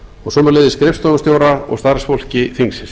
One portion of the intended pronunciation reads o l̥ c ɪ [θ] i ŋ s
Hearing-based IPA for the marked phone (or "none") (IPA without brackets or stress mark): θ